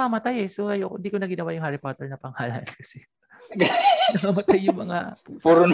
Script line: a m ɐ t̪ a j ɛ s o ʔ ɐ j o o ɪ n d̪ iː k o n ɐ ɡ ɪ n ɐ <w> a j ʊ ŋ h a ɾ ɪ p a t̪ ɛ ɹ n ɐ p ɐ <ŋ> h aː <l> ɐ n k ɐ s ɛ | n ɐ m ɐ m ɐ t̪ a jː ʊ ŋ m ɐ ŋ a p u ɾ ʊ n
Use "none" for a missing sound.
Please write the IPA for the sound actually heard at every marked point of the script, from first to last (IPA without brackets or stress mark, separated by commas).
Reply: w, ŋ, l